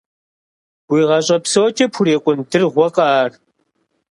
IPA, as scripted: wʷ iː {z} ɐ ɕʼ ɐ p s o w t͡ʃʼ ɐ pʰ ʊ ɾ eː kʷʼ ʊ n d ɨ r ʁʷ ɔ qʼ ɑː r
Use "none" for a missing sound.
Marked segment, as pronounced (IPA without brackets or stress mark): ʁ